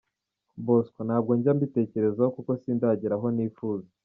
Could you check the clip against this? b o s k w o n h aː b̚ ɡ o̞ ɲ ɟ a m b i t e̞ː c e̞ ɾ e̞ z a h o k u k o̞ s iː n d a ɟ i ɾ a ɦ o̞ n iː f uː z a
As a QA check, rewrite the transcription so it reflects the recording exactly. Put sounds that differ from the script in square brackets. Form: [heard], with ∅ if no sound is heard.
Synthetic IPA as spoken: b o s k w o n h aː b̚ ɡ o̞ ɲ ɟ a m b i t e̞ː c e̞ ɾ e̞ z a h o k u k o̞ s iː n d a ɟ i ɾ a ɦ o̞ n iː f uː z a